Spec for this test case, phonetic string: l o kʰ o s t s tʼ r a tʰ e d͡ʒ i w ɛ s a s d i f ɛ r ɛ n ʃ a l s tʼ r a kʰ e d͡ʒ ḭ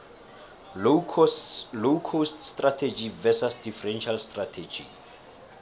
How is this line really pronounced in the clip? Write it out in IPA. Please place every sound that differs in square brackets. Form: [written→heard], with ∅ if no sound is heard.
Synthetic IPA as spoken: l o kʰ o s t s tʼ r a tʰ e d͡ʒ i [w→v] ɛ s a s d i f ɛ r ɛ n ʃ a l s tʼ r a [kʰ→tʰ] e d͡ʒ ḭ